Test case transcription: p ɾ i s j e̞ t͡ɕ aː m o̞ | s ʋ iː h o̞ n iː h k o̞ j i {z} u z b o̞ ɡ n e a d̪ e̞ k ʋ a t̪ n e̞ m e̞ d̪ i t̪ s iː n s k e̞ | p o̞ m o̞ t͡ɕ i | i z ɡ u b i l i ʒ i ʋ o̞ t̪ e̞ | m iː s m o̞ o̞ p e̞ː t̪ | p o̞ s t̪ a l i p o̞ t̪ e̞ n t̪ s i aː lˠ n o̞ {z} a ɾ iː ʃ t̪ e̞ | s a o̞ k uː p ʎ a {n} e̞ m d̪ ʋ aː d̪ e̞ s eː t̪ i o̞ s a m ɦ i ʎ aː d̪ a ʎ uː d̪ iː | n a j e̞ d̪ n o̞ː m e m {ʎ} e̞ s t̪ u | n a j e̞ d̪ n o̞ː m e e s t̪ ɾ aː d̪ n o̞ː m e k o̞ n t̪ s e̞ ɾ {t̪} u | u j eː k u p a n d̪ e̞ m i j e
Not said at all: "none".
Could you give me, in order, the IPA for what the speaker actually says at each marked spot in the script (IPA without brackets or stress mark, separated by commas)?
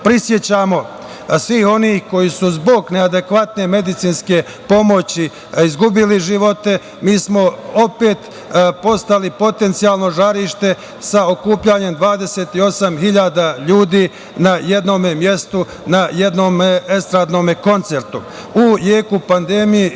s, ʒ, ɲ, j, t̪